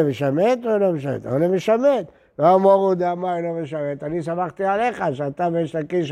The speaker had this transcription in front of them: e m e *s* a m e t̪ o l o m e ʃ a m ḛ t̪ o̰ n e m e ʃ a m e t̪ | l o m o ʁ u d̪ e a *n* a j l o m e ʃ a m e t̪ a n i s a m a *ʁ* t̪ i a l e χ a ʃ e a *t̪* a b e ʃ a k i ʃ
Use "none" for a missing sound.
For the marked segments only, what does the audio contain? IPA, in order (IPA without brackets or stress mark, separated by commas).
ʃ, m, χ, t̪